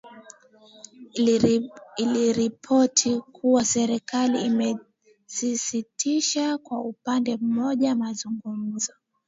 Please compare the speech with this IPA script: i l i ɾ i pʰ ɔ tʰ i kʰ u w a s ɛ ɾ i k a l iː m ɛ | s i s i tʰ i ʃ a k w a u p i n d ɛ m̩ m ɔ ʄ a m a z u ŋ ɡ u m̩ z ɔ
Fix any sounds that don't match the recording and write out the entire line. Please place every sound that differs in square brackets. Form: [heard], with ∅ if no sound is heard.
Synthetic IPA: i l i ɾ i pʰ ɔ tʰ i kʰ u w a s ɛ ɾ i k a l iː m ɛ | s i s i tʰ i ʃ a k w a u p [a] n d ɛ m̩ m ɔ ʄ a m a z u ŋ ɡ u m̩ z ɔ